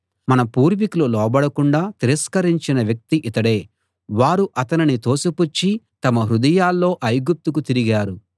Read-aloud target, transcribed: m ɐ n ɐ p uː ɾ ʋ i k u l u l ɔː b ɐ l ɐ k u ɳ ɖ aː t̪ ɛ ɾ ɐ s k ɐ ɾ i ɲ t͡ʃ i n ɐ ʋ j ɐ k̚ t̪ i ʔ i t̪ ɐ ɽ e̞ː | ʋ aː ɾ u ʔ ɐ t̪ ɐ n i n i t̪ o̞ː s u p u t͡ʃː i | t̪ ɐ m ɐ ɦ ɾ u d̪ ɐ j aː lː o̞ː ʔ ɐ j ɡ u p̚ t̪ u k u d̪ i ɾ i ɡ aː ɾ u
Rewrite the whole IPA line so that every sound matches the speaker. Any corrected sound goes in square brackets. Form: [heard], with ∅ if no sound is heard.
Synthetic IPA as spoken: m ɐ n ɐ p uː ɾ ʋ i k u l u l ɔː b ɐ [ɽ] ɐ k u ɳ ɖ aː t̪ [i] ɾ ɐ s k ɐ ɾ i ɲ t͡ʃ i n ɐ ʋ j ɐ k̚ t̪ i ʔ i t̪ ɐ ɽ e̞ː | ʋ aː ɾ u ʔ ɐ t̪ ɐ n i n i t̪ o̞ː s u p u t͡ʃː i | t̪ ɐ m ɐ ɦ ɾ u d̪ ɐ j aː lː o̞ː ʔ ɐ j ɡ u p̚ t̪ u k u [t̪] i ɾ i ɡ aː ɾ u

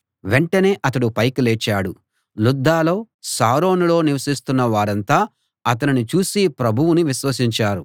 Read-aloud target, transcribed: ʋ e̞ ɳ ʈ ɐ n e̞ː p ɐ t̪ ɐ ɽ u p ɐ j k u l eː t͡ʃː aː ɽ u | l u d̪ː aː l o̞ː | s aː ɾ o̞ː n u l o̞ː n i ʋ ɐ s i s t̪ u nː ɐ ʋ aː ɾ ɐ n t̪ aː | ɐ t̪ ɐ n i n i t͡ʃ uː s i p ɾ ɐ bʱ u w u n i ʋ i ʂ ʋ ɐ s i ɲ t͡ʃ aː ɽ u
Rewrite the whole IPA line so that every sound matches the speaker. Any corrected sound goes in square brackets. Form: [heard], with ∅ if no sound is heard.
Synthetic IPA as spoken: ʋ e̞ ɳ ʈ ɐ n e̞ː [ʔ] ɐ t̪ ɐ ɽ u p ɐ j k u l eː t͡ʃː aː ɽ u | l u d̪ː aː l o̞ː | s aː ɾ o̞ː n u l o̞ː n i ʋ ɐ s i s t̪ u nː ɐ ʋ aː ɾ ɐ n t̪ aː | ɐ t̪ ɐ n i n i t͡ʃ uː s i p ɾ ɐ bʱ u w u n i ʋ i [ʃ] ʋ ɐ s i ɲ t͡ʃ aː [ɾ] u

